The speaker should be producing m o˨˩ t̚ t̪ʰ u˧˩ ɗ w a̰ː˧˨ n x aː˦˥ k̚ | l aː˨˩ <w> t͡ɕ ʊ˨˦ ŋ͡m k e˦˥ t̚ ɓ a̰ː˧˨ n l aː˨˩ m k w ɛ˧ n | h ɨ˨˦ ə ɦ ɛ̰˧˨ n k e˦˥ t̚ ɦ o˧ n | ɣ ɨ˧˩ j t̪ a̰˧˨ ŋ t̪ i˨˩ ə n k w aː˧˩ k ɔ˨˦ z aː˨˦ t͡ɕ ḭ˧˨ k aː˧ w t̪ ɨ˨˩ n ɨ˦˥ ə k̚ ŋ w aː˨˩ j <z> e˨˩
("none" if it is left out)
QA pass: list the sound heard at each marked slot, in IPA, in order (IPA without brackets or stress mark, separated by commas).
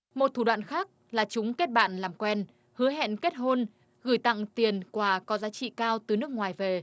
none, v